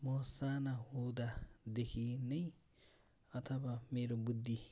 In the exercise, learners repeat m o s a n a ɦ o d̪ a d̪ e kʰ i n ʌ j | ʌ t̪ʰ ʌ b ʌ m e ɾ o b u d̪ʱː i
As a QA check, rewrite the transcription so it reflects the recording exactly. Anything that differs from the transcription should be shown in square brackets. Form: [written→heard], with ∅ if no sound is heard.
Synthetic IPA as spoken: m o s a n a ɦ o d̪ a d̪ e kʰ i n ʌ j | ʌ t̪ʰ ʌ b [ʌ→a] m e ɾ o b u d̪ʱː i